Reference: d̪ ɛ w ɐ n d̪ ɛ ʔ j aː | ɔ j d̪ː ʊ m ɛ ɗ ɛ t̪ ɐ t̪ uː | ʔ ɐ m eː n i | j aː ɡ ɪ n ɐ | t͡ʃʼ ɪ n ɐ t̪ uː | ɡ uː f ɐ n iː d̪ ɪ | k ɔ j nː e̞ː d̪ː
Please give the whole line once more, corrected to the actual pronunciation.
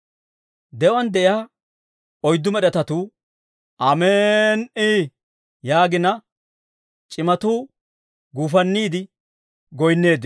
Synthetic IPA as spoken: d̪ ɛ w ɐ n d̪ ɛ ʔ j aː | ɔ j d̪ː ʊ m ɛ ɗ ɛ t̪ ɐ t̪ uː | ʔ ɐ m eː n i | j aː ɡ ɪ n ɐ | t͡ʃʼ ɪ m ɐ t̪ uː | ɡ uː f ɐ nː iː d̪ ɪ | ɡ ɔ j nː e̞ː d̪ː